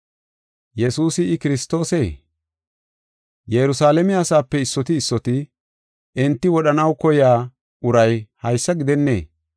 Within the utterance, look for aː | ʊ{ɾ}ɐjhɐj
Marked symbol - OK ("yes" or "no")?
yes